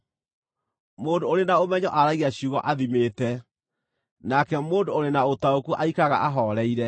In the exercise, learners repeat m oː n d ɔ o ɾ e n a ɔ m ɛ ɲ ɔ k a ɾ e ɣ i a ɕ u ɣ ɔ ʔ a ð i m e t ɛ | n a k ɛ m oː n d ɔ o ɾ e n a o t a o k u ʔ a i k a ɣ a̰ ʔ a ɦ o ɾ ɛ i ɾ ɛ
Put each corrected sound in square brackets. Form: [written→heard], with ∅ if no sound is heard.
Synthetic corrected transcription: m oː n d [ɔ→o] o ɾ e n a [ɔ→o] m ɛ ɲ ɔ [k→ʔ] a ɾ [e→a] ɣ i a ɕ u ɣ ɔ ʔ a ð i m e t ɛ | n a k ɛ m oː n d [ɔ→o] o ɾ e n a o t a o k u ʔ a i k a ɣ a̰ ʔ a ɦ [o→ɔ] ɾ ɛ i ɾ ɛ